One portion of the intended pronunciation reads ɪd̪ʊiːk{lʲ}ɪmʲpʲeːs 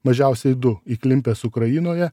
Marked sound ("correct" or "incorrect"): correct